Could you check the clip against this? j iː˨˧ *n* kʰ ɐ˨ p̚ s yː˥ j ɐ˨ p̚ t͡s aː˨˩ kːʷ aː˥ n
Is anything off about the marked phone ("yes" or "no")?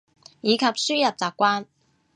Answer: yes